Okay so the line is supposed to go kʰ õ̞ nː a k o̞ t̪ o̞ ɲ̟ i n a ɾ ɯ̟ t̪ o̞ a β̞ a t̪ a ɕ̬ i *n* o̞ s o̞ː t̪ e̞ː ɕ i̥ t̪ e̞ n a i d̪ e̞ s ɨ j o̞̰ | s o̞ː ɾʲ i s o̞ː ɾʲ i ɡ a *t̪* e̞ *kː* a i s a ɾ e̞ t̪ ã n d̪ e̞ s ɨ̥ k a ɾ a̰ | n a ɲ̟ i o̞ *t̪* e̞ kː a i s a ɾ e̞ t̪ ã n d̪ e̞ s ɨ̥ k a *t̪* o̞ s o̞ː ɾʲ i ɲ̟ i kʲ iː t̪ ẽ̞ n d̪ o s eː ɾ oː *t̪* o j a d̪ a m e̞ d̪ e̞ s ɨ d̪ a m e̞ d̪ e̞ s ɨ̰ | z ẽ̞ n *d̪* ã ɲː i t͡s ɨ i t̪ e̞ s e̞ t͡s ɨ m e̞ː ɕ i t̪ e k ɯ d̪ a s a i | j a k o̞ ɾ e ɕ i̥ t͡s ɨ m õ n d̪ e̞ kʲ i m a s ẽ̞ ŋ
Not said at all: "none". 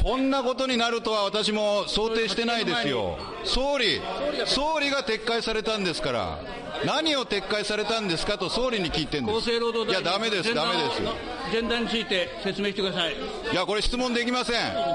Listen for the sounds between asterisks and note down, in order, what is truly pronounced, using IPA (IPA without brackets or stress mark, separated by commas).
m, t̪, kː, t̪, t̪, d̪, d̪